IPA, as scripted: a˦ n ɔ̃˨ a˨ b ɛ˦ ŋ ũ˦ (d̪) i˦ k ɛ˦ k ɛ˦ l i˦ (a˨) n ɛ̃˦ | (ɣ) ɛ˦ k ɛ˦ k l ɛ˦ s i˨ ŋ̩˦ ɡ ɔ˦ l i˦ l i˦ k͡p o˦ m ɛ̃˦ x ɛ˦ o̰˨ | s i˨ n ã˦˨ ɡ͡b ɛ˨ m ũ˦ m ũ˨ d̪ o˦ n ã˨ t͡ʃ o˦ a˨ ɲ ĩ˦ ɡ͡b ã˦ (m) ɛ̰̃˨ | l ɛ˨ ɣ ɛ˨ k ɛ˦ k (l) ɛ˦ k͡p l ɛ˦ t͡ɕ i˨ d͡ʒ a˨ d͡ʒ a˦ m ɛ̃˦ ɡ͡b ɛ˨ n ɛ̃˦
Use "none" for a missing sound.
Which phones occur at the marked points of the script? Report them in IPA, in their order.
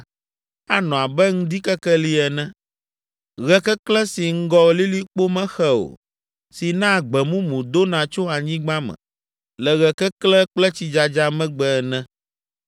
d̪, ɛ˨, ɣ, m, l

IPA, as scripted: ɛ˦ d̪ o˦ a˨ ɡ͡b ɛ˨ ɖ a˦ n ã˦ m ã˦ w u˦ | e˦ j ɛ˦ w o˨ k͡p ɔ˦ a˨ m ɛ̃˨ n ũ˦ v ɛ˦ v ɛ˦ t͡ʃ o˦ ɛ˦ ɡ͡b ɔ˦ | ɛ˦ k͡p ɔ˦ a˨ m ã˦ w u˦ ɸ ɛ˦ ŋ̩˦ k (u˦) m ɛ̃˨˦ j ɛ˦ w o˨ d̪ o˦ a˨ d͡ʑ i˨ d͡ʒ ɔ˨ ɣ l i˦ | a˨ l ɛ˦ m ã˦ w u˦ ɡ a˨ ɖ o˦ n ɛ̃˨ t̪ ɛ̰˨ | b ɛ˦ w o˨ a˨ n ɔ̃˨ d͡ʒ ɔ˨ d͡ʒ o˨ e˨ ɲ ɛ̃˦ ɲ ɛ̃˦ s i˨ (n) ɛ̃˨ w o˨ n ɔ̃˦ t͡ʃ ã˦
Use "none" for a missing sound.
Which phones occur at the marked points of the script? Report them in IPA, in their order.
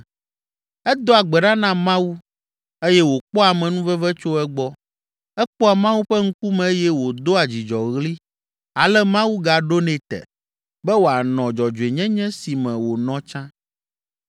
u˦, m

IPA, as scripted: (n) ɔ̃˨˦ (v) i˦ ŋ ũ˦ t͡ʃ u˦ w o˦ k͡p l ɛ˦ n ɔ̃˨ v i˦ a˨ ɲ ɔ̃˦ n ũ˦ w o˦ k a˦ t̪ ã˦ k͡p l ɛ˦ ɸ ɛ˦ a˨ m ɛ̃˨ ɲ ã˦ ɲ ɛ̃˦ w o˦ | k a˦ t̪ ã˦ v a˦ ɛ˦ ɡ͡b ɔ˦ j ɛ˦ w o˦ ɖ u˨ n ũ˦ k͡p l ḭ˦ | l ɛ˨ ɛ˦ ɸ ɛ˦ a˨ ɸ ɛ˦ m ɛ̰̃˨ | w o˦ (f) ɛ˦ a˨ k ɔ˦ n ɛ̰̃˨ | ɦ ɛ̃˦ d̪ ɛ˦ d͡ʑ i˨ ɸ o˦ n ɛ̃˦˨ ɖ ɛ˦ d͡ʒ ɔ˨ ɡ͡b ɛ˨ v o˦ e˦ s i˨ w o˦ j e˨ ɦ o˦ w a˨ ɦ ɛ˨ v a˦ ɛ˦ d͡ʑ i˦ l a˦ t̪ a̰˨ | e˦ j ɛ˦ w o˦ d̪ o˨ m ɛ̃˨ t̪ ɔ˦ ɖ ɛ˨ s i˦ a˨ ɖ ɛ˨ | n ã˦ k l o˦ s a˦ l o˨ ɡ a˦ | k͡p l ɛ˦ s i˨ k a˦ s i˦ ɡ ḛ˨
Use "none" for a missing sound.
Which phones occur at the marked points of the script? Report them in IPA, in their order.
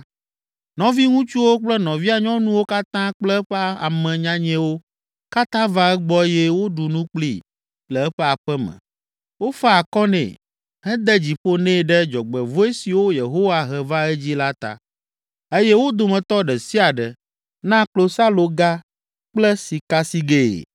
n, v, f

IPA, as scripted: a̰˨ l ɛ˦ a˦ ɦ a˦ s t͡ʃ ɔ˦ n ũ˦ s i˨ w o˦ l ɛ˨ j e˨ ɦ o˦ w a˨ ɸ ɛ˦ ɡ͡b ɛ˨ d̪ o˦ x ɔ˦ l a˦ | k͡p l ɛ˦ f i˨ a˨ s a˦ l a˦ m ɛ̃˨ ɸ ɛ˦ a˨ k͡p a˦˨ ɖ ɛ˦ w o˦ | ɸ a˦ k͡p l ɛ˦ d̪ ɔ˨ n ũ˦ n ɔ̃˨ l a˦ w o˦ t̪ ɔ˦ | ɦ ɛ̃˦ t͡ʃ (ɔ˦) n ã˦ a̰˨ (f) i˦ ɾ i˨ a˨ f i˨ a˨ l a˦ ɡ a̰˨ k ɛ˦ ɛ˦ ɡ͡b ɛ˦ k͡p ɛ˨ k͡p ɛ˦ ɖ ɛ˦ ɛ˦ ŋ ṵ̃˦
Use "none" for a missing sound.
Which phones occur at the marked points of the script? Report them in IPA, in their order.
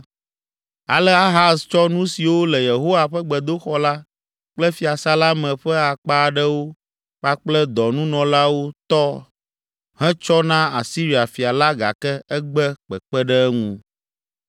ɔ˦, s

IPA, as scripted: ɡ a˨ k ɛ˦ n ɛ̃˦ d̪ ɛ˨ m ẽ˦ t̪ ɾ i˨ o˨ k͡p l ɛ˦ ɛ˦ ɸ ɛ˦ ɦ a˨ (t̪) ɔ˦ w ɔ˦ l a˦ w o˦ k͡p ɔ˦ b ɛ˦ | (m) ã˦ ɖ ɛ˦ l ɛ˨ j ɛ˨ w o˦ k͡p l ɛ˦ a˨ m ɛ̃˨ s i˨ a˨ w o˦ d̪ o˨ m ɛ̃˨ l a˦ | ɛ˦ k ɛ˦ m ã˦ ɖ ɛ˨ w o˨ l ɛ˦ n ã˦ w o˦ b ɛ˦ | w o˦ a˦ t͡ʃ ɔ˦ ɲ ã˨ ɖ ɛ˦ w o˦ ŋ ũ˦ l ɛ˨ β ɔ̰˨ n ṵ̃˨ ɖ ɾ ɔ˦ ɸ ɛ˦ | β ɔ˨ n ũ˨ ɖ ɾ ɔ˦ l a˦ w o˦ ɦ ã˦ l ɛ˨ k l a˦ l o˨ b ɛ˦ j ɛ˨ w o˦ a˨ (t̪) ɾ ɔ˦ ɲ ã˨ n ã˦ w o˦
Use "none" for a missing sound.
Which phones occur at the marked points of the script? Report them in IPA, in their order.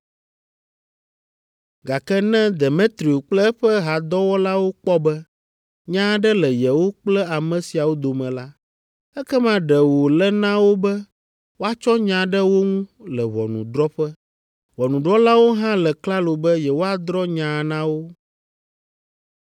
d̪, ɲ, d̪

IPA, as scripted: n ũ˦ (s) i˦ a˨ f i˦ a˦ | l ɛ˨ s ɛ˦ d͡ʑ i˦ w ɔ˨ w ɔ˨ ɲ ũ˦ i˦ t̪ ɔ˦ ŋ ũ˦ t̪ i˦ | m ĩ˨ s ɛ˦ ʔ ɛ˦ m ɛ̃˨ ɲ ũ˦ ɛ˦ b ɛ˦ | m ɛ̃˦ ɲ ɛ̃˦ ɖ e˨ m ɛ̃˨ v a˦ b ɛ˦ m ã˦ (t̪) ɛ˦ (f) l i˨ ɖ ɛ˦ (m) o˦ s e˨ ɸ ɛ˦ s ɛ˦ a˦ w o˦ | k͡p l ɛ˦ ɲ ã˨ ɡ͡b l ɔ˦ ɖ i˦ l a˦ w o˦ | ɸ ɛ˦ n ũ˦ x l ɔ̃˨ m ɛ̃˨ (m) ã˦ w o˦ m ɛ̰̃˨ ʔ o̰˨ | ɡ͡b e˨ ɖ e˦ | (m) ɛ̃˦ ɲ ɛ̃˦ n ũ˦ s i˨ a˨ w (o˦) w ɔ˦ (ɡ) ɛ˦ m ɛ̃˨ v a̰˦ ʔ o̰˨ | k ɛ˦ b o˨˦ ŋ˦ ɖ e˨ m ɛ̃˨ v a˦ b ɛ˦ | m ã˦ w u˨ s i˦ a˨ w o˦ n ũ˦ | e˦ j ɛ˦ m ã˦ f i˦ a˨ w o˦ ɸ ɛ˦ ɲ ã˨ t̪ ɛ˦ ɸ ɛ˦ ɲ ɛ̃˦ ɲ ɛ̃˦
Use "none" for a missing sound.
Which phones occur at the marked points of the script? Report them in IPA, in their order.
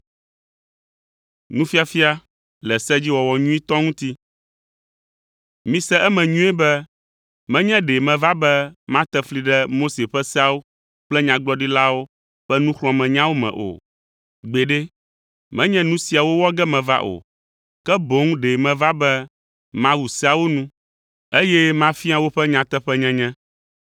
f, t̪, f, m, ɲ, m, o˦, ɡ

